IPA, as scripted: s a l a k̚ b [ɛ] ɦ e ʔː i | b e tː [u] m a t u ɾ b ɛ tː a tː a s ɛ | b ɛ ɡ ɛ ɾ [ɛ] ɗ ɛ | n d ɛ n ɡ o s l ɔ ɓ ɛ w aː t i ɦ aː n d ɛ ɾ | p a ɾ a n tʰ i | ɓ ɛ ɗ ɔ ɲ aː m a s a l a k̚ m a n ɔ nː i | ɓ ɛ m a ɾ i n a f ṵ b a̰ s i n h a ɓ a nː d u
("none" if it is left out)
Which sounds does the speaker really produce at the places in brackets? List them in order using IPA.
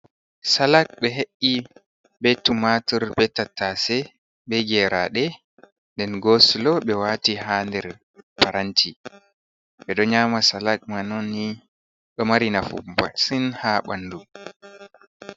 ɛ, u, a

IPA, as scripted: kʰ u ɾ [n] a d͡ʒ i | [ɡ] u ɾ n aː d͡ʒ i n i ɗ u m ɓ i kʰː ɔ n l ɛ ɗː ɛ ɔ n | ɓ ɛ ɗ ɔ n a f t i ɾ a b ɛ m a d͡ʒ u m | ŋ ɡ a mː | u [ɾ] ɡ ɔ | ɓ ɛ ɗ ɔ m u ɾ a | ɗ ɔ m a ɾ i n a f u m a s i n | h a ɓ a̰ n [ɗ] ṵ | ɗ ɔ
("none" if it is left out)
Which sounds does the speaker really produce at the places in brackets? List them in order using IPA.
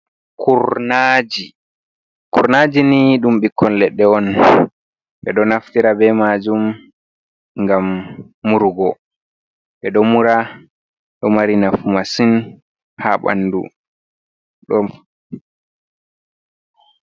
n, k, ɾ, d

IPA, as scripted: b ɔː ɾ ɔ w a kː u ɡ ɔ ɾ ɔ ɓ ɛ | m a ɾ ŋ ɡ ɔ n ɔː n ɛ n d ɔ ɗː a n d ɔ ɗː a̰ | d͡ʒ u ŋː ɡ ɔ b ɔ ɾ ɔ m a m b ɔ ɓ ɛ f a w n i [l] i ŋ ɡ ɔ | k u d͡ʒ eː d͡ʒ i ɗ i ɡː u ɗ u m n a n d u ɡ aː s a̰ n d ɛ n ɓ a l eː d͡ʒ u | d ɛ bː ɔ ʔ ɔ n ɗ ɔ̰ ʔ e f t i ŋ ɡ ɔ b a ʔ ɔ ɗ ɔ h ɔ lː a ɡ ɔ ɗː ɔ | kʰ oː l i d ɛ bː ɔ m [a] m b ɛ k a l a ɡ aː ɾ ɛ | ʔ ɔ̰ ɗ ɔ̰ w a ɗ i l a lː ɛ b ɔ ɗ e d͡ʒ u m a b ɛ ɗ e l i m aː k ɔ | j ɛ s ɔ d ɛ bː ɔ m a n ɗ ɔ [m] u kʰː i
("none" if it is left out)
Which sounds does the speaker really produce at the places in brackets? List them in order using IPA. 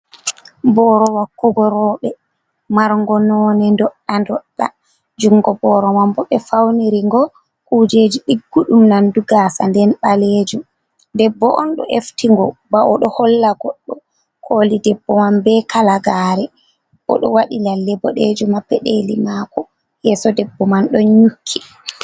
ɾ, a, ɲ

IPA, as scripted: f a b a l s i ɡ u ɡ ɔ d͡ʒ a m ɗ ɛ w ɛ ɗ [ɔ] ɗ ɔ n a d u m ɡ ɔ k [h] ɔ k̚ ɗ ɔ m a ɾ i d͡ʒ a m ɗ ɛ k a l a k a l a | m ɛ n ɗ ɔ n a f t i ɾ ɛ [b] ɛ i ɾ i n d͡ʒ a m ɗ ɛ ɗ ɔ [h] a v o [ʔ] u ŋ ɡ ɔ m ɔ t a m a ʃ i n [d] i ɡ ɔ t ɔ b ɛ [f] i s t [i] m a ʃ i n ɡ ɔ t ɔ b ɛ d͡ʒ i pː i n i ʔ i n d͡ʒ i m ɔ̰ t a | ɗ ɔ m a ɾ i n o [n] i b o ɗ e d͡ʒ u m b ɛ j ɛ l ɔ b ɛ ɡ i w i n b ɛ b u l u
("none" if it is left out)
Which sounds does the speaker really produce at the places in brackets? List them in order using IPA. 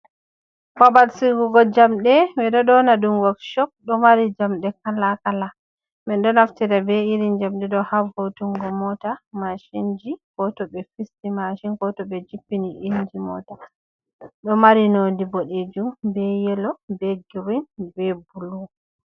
ɔ, ʃ, b, h, t, d͡ʒ, f, i, d

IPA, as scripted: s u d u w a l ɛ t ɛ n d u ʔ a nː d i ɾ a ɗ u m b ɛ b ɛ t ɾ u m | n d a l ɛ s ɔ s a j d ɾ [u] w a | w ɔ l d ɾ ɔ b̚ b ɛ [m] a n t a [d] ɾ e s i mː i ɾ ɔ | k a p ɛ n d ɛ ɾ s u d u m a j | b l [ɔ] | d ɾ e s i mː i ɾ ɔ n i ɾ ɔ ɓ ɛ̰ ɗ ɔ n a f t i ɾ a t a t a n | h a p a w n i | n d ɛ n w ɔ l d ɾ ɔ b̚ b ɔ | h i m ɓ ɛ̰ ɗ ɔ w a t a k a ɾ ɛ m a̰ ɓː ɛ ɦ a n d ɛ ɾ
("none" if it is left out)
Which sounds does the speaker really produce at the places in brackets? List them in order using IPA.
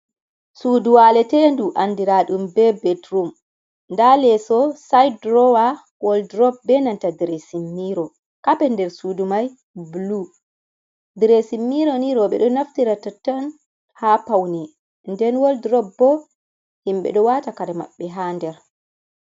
ɔ, n, d, u

